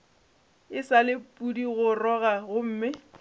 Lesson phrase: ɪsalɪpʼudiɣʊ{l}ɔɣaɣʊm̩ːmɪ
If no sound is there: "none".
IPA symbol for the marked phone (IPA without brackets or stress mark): r